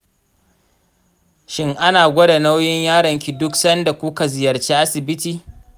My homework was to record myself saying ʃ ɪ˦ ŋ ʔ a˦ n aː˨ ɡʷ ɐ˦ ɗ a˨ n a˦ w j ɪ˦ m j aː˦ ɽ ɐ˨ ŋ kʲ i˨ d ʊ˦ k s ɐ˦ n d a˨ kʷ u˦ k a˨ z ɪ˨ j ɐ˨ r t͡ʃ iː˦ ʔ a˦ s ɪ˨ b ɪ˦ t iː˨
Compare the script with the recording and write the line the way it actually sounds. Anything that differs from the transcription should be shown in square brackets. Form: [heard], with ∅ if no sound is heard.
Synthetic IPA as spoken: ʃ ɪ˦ ŋ ʔ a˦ n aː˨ ɡʷ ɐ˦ [d] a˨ n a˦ w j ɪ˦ [ɲ] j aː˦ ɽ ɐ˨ ŋ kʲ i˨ d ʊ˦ k s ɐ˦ n d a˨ kʷ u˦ k a˨ z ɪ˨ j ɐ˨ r t͡ʃ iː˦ ʔ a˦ s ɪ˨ b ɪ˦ t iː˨